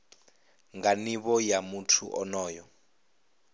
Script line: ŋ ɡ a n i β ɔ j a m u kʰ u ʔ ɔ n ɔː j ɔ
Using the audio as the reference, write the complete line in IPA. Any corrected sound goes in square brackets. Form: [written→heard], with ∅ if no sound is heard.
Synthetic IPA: ŋ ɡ a n i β ɔ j a m u [kʰ→tʰ] u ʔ ɔ n ɔː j ɔ

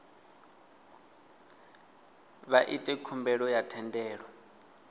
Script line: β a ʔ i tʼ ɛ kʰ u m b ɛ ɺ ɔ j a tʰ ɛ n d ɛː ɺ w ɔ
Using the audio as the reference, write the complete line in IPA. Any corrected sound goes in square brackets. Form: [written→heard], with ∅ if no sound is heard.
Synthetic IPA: β a ʔ i tʼ ɛ kʰ u m b ɛ ɺ ɔ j a tʰ ɛ n d ɛː ɺ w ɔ

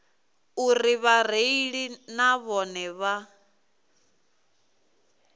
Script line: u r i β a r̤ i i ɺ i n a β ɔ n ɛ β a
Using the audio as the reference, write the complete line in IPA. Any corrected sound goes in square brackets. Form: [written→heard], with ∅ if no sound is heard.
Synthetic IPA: u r i β a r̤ [i→e] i ɺ i n a β ɔ n ɛ β a

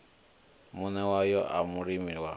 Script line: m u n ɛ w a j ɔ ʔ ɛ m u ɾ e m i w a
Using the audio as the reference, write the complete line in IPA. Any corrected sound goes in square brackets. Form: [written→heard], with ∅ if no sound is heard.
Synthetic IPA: m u n ɛ w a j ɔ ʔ [ɛ→a] m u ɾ [e→i] m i w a

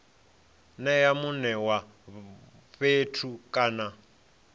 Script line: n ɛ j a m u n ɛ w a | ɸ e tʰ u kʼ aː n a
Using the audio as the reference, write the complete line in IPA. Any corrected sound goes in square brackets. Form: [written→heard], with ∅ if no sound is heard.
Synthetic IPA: n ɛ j a m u n ɛ w a | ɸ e tʰ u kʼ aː n a

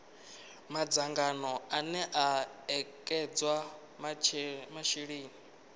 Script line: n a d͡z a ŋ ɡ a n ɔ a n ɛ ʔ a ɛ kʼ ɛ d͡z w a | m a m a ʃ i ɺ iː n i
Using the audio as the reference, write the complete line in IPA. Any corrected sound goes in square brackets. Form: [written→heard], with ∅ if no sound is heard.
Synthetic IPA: [n→m] a d͡z a ŋ ɡ a n ɔ a n ɛ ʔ a ɛ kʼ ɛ d͡z w a | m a m a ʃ i ɺ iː n i

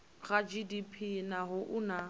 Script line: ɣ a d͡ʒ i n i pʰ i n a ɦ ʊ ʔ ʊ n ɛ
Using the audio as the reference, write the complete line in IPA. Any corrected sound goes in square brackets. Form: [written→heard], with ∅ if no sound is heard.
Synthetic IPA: ɣ a d͡ʒ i [n→d] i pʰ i n a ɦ ʊ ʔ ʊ n [ɛ→a]

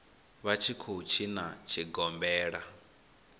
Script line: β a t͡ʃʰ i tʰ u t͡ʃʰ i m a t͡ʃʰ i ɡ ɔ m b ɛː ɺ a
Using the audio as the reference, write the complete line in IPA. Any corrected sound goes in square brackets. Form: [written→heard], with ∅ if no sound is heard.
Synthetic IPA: β a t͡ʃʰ i [tʰ→kʰ] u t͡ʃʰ i [m→n] a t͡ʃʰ i ɡ ɔ m b ɛː ɺ a

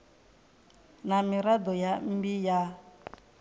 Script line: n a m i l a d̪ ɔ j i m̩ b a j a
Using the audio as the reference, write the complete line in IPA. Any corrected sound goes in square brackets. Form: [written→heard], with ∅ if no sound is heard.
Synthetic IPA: n a m i [l→ɾ] a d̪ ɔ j [i→a] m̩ b [a→i] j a

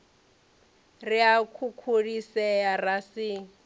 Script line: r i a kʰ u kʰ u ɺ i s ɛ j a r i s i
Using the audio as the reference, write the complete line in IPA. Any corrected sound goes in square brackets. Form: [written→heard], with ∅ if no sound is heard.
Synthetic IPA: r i a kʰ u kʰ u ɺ i s ɛ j a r [i→a] s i

